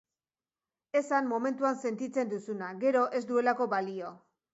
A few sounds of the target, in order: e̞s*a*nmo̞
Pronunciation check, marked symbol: correct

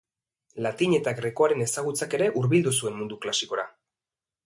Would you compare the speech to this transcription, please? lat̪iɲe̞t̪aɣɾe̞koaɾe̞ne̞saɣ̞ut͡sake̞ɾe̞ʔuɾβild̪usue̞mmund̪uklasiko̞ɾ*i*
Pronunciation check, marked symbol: incorrect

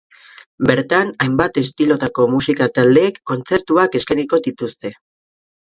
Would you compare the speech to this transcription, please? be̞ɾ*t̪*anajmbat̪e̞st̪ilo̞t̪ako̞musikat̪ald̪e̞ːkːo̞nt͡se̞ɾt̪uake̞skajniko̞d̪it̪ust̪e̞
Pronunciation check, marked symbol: correct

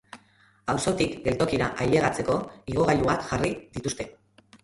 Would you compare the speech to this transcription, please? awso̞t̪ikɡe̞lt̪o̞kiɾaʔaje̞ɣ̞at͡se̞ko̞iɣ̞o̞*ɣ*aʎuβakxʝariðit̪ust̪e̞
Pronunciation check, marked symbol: correct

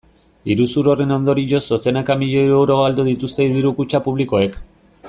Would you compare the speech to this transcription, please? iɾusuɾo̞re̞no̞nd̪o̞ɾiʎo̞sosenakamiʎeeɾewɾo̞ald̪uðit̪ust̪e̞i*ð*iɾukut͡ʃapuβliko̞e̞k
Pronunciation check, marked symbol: correct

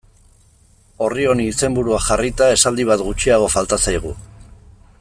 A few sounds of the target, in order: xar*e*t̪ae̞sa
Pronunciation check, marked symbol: incorrect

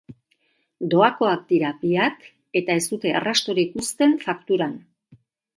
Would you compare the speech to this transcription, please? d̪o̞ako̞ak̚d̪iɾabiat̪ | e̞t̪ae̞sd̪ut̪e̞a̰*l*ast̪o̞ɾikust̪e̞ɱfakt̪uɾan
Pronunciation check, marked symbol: incorrect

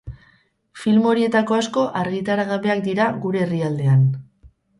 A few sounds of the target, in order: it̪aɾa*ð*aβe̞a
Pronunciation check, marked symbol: incorrect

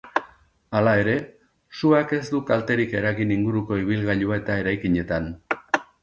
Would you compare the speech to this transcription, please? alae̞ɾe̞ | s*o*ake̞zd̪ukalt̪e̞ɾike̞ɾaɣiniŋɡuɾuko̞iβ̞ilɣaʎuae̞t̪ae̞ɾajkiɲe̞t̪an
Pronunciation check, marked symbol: incorrect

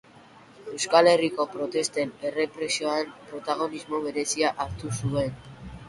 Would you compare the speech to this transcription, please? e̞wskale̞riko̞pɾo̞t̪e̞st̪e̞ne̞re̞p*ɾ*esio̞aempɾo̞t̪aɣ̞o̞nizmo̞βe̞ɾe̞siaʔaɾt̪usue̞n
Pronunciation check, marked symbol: correct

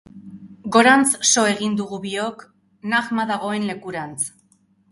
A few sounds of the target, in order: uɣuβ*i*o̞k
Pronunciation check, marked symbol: correct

